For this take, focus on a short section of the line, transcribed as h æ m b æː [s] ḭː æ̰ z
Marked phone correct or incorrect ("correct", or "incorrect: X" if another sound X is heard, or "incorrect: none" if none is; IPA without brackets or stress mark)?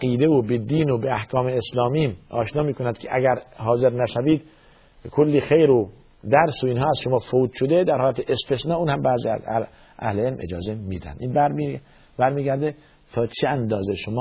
incorrect: z